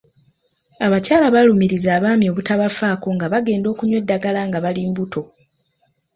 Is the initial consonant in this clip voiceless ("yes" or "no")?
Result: no